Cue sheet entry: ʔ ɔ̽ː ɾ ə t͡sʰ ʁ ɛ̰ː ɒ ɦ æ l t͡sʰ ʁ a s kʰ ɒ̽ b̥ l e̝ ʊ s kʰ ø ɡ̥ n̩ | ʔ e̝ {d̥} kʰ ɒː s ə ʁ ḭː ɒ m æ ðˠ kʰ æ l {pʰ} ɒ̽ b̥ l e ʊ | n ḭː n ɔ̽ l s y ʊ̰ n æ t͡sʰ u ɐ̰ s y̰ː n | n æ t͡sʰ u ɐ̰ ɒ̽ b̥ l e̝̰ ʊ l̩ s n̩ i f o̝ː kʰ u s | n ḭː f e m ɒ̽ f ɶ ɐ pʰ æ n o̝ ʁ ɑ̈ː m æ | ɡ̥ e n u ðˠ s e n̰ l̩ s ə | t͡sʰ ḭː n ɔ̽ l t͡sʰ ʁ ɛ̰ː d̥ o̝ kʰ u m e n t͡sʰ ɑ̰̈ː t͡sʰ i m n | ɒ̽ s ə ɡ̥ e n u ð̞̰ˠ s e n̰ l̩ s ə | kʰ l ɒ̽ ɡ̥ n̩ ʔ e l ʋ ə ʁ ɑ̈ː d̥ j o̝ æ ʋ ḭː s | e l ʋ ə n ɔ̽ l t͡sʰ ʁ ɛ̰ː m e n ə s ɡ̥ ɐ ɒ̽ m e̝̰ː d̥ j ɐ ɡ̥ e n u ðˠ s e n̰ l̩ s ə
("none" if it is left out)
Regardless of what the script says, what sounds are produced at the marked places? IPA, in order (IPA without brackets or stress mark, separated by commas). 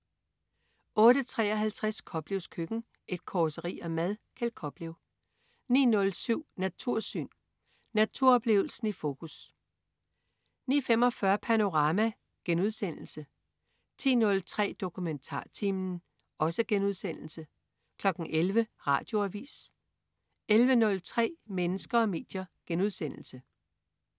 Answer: d̥, kʰ